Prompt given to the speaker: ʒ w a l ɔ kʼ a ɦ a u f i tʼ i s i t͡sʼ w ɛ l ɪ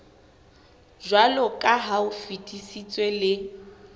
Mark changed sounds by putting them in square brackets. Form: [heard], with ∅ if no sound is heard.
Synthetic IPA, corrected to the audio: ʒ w a l ɔ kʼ a ɦ a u f i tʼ i s i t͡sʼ w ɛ l ɪ